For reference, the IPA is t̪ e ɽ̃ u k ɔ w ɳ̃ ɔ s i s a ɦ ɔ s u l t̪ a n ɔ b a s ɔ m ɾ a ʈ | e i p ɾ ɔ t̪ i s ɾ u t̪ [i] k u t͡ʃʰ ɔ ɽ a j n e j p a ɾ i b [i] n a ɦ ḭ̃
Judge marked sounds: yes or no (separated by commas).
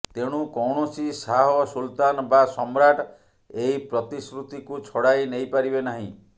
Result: yes, no